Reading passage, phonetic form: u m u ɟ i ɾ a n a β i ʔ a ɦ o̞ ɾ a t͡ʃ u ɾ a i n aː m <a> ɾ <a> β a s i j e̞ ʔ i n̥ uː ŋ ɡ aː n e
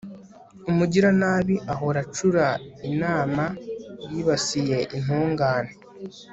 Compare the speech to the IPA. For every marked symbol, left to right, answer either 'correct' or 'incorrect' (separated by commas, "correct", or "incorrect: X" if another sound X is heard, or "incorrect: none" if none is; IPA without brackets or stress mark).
correct, incorrect: i